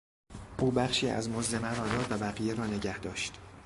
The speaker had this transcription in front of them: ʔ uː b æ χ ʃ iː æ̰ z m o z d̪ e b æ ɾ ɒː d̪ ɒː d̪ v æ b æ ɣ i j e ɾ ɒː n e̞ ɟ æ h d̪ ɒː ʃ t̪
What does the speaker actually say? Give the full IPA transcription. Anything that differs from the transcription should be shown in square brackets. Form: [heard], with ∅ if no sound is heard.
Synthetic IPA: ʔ uː b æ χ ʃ iː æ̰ z m o z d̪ e [m] æ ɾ ɒː d̪ ɒː d̪ v æ b æ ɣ i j e ɾ ɒː n e̞ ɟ æ h d̪ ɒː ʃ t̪